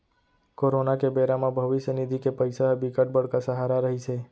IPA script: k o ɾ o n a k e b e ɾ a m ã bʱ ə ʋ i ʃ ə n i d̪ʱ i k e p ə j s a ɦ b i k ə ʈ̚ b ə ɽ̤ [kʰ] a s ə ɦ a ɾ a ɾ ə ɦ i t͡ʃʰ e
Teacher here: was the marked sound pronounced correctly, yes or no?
no